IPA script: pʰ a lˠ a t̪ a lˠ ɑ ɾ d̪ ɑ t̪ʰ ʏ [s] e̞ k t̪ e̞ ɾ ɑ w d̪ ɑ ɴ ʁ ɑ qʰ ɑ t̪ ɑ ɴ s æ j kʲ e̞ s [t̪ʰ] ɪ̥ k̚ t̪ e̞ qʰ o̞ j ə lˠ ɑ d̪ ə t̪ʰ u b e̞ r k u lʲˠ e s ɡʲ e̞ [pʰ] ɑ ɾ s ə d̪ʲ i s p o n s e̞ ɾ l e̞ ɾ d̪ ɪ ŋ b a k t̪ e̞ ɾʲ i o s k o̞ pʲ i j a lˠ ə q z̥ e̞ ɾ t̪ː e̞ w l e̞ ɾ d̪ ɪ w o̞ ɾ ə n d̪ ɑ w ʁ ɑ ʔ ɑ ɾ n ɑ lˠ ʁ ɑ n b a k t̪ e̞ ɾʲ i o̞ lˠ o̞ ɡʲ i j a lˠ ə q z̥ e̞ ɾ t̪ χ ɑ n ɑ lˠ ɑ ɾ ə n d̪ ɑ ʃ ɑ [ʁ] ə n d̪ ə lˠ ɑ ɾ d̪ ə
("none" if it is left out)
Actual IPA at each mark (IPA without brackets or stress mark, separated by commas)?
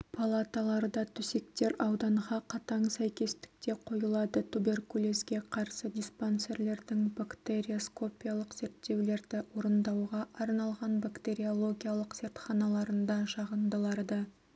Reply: s, t̪, qʰ, ʁ